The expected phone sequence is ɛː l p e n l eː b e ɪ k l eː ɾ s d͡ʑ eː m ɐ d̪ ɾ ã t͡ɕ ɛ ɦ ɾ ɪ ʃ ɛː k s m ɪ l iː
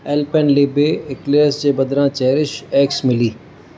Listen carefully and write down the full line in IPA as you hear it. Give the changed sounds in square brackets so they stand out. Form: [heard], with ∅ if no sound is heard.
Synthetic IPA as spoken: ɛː l p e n l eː b e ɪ k l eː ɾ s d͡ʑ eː [b] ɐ d̪ ɾ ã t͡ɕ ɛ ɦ ɾ ɪ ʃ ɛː k s m ɪ l iː